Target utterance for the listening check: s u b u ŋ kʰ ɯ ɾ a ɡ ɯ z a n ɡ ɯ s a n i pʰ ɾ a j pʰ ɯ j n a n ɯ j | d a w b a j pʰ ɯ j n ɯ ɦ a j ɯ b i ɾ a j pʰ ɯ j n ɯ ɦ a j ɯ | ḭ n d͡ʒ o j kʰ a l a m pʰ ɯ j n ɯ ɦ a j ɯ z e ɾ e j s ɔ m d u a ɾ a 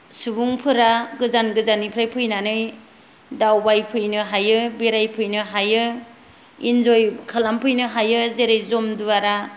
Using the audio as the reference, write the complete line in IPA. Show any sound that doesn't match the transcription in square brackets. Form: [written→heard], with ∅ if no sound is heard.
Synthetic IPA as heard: s u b u ŋ [kʰ→pʰ] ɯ ɾ a ɡ ɯ z a n ɡ ɯ [s→z] a n i pʰ ɾ a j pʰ ɯ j n a n ɯ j | d a w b a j pʰ ɯ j n ɯ ɦ a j ɯ b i ɾ a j pʰ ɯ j n ɯ ɦ a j ɯ | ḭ n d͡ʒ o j kʰ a l a m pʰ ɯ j n ɯ ɦ a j ɯ z e ɾ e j [s→z] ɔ m d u a ɾ a